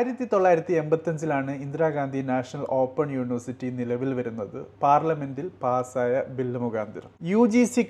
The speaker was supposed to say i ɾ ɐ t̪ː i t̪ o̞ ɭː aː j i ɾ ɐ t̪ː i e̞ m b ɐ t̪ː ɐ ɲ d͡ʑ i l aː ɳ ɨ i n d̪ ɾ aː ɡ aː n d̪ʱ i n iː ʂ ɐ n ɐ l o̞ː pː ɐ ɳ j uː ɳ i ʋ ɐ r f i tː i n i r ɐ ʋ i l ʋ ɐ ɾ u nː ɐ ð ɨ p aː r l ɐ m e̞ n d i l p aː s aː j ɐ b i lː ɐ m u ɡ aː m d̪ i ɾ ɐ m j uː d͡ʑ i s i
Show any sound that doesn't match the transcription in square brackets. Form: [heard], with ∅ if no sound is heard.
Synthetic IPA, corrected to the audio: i ɾ ɐ t̪ː i t̪ o̞ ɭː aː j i ɾ ɐ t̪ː i e̞ m b ɐ t̪ː ɐ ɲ d͡ʑ i l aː ɳ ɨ i n d̪ ɾ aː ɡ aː n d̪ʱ i n [aː] ʂ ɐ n ɐ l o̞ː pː ɐ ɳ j uː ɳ i ʋ ɐ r [s] i tː i n i [l] ɐ ʋ i l ʋ ɐ ɾ u nː ɐ ð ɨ p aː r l ɐ m e̞ n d i l p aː s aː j ɐ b i lː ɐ m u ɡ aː [n] d̪ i ɾ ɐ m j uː d͡ʑ i s i